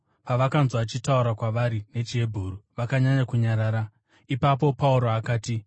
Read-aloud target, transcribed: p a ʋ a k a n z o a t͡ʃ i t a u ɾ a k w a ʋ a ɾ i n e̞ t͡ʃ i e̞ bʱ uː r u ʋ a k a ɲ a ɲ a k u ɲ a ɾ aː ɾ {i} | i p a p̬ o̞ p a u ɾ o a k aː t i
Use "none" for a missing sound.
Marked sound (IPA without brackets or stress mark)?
a